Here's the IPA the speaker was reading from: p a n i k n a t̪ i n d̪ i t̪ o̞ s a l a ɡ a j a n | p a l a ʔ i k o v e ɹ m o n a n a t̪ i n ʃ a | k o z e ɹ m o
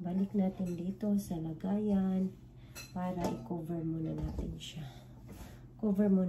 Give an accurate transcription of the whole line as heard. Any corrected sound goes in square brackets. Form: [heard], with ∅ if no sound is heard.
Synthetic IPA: [b] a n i k n a t̪ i n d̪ i t̪ o̞ s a l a ɡ a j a n | p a [ɾ] a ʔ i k o v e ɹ m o n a n a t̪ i n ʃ a | k o [v] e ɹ m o